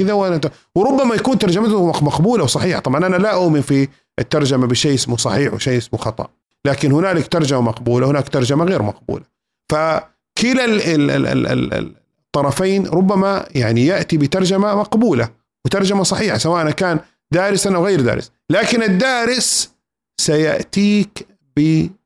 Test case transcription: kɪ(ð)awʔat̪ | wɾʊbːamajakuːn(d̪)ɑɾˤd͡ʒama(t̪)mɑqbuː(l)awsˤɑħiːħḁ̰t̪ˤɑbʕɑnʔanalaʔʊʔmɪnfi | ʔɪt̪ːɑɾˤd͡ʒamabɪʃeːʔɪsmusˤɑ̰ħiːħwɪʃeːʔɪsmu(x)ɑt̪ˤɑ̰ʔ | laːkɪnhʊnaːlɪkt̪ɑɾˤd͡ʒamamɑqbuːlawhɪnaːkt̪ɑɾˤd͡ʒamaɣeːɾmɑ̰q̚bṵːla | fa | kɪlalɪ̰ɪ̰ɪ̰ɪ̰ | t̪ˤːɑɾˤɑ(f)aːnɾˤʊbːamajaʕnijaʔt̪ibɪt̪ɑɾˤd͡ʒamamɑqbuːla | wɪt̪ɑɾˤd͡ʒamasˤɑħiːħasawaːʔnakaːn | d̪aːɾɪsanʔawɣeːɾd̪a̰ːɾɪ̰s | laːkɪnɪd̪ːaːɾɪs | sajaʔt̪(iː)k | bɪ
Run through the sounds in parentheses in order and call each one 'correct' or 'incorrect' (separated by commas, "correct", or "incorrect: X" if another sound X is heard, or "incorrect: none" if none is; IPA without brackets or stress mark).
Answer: correct, incorrect: t̪, correct, correct, correct, correct, correct